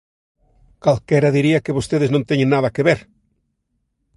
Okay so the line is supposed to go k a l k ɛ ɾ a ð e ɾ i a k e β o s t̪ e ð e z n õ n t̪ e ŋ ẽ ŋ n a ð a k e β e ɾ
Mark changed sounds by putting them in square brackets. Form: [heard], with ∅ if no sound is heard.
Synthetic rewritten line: k a l k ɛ ɾ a ð [i] ɾ i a k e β o s t̪ e ð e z n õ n t̪ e [ɲ] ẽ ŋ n a ð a k e β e ɾ